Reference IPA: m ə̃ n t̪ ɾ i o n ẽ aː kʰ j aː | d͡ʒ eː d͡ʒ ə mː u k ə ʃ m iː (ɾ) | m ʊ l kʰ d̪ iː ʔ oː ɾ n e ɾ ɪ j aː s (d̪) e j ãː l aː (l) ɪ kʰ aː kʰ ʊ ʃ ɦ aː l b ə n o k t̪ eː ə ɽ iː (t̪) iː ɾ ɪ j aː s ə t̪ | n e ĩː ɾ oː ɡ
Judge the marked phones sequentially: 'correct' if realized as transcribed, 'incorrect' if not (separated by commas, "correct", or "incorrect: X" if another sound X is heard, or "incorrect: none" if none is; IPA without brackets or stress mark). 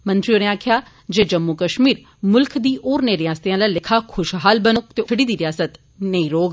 correct, incorrect: t̪, correct, incorrect: d̪